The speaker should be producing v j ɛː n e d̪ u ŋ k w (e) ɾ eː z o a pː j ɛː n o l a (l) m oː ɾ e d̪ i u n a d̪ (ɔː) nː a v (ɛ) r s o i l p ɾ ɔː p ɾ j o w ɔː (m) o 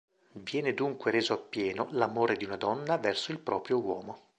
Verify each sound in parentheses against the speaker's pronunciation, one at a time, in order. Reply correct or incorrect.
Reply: correct, incorrect: none, incorrect: ɔ, correct, correct

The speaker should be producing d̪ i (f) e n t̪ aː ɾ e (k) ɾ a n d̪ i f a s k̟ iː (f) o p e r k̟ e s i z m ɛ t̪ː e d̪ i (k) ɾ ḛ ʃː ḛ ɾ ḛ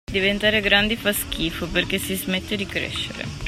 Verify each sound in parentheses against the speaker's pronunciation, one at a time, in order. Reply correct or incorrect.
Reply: incorrect: v, incorrect: ɡ, correct, correct

